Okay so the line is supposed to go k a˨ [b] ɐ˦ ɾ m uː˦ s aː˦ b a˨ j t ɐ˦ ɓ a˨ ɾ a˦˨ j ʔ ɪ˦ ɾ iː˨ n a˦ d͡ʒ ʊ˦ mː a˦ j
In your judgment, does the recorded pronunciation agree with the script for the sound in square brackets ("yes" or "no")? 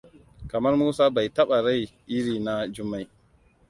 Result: no